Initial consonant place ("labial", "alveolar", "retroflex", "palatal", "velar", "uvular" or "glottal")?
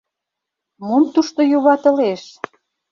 labial